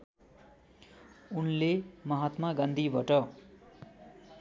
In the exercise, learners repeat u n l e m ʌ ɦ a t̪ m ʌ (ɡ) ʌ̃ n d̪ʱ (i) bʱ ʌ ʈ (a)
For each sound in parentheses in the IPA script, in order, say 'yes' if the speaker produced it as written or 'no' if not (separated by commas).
yes, yes, no